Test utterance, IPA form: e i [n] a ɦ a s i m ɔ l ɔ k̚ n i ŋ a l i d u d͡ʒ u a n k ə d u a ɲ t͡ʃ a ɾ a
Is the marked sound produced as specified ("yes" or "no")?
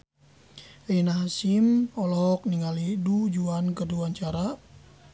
yes